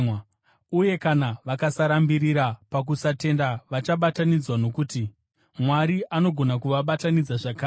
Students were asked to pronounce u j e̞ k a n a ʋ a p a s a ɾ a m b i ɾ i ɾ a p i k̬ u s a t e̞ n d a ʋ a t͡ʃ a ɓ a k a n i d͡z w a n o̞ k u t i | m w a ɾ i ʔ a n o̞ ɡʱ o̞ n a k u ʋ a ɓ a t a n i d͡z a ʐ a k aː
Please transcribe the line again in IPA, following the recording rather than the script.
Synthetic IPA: u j e̞ k a n a ʋ a k a s a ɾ a m b i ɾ i ɾ a p a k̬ u s a t e̞ n d a ʋ a t͡ʃ a ɓ a t a n i d͡z w a n o̞ k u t i | m w a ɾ i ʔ a n o̞ ɡʱ o̞ n a k u ʋ a ɓ a t a n i d͡z a ʐ a k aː